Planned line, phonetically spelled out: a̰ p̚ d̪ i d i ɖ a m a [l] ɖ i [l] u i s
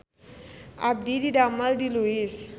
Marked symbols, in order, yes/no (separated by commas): yes, yes